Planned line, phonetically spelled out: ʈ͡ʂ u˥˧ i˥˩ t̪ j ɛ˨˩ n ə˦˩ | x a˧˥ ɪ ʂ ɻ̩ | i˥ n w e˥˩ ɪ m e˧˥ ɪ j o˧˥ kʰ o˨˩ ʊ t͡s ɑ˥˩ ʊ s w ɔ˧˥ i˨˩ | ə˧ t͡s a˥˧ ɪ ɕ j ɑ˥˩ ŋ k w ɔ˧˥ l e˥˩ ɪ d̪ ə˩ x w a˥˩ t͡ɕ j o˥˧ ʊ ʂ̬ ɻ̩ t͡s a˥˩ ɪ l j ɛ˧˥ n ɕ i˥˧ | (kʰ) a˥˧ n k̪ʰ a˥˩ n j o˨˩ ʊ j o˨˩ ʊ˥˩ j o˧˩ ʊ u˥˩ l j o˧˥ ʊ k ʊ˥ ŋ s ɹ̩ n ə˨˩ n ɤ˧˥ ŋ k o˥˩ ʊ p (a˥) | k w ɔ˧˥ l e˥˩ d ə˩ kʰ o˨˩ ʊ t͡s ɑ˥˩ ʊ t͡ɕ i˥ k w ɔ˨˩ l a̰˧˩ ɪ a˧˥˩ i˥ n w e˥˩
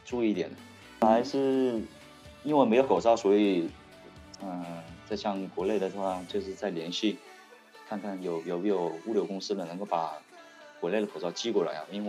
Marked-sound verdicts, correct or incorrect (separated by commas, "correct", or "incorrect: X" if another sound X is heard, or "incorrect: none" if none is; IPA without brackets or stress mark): correct, incorrect: a˨˩